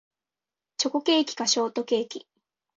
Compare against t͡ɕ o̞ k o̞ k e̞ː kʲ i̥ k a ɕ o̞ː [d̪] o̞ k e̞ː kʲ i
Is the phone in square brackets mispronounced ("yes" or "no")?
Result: yes